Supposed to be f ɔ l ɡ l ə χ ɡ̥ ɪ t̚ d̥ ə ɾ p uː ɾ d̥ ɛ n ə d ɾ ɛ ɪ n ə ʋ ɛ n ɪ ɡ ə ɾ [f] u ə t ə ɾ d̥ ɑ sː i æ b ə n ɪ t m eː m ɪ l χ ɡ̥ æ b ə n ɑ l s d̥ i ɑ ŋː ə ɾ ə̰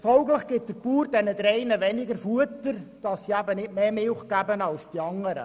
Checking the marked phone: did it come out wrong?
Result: no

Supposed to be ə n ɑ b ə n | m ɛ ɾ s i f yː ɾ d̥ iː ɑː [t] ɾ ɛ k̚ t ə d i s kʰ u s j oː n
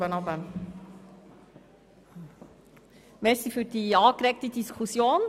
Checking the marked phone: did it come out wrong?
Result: yes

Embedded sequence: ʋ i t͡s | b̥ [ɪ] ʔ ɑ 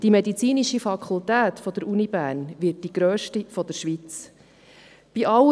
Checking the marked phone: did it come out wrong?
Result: yes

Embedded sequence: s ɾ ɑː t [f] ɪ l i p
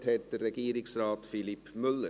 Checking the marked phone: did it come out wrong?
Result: no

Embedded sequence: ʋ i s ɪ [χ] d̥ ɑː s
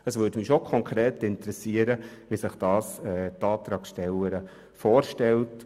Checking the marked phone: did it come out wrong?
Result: no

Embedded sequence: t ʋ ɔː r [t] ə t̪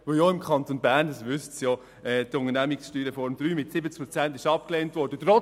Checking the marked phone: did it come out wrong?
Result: yes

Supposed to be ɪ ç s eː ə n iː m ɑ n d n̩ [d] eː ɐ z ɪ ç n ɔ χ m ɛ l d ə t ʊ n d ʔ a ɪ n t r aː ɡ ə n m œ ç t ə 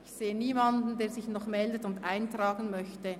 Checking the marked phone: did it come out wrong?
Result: no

